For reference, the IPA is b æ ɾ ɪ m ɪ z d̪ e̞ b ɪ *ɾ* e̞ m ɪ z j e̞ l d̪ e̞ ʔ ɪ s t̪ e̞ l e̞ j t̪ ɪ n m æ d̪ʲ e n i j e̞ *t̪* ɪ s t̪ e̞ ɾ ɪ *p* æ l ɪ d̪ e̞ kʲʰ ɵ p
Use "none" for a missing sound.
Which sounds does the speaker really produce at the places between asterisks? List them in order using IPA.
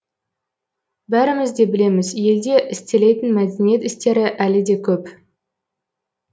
l, t̪, ʔ

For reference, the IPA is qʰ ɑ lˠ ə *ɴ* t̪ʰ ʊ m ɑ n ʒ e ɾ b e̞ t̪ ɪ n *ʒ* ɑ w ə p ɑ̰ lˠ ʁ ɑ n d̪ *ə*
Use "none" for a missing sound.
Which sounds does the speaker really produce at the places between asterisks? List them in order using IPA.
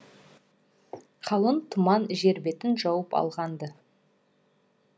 n, ʒ, ə

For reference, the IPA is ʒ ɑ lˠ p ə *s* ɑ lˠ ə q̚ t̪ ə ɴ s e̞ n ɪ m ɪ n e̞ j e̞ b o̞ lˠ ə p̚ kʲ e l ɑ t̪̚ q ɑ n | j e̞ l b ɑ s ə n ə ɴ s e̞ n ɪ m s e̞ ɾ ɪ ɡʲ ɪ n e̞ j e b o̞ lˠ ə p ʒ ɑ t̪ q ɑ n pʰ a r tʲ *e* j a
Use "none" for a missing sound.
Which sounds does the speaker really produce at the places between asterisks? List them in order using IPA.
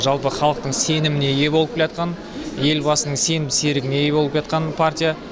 χ, i

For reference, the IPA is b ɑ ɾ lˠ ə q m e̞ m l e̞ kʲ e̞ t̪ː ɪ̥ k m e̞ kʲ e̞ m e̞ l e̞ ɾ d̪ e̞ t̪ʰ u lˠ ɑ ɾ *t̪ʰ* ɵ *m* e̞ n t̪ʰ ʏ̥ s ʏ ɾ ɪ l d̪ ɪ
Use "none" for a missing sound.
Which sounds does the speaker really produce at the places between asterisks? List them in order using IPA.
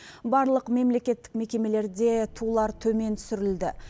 t̪ʰ, m

